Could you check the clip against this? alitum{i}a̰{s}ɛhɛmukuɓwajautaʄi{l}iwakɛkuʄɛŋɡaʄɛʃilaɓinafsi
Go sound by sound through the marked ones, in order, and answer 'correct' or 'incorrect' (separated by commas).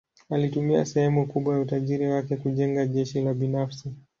correct, correct, incorrect